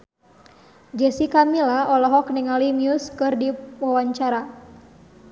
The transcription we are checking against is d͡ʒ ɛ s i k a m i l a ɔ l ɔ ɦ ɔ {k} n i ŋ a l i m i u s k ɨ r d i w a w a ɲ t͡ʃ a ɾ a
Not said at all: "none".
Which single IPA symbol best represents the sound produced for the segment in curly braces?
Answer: k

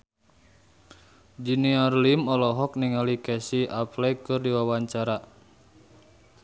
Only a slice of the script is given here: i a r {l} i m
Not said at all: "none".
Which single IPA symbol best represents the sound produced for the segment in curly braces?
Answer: l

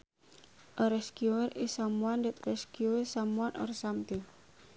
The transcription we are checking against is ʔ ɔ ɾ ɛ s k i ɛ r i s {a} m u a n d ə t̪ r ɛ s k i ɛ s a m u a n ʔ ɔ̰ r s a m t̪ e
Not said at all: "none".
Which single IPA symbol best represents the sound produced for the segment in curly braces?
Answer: a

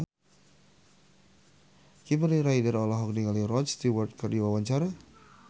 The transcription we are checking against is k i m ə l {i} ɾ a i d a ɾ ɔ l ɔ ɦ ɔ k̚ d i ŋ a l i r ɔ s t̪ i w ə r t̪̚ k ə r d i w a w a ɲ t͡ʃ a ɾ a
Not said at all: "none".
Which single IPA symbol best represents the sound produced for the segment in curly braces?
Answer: i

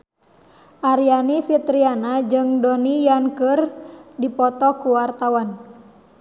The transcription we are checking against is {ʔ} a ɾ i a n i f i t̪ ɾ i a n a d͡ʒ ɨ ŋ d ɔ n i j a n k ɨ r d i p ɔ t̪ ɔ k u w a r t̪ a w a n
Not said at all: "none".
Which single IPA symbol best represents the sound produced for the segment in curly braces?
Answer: ʔ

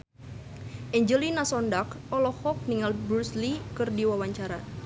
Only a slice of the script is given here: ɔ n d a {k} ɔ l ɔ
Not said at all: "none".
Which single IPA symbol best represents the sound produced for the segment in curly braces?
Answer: k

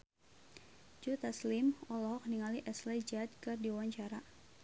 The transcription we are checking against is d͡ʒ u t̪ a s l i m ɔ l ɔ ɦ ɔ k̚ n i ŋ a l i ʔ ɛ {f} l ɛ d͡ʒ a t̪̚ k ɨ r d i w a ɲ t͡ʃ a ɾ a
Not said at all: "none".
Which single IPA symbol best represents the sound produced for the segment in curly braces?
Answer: s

